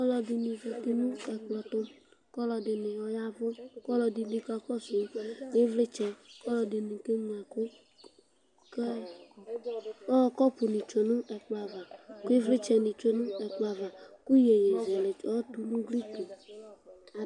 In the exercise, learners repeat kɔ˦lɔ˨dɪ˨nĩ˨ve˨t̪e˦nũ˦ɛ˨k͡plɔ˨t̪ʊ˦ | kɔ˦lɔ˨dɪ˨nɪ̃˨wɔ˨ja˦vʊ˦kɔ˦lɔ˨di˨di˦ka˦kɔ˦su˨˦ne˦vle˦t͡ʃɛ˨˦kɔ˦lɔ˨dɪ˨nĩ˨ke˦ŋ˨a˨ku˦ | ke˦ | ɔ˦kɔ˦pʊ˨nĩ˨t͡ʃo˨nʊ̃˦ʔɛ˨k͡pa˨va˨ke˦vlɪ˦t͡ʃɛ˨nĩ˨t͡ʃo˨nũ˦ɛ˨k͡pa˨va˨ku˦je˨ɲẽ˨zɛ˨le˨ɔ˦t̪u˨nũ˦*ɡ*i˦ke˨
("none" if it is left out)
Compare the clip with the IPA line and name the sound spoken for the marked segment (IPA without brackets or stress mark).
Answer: ɡ